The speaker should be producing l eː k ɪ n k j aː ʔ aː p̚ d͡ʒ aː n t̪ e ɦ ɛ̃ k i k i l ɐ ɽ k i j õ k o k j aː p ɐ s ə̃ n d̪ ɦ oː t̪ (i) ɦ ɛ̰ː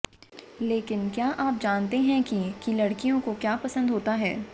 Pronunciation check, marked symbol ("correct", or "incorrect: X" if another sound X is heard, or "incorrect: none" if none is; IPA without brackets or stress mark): incorrect: a